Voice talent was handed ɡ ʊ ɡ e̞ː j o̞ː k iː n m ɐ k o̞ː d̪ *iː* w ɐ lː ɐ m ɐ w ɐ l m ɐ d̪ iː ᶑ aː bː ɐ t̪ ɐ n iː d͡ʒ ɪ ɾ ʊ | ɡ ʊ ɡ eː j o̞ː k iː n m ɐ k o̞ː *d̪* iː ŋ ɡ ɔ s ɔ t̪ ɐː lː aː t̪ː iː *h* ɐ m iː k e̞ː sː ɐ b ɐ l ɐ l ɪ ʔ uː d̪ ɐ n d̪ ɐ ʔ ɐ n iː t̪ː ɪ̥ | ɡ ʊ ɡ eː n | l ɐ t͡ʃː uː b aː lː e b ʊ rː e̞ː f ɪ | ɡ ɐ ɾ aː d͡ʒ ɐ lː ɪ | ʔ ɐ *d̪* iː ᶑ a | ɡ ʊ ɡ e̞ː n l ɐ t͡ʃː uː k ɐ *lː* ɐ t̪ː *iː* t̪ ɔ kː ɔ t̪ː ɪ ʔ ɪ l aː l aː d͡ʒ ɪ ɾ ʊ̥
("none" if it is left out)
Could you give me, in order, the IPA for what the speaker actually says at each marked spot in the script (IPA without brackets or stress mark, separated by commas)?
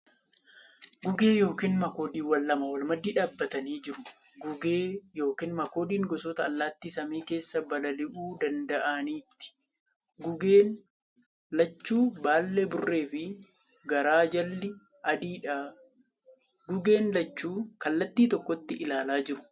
iː, d̪, s, d̪, lː, iː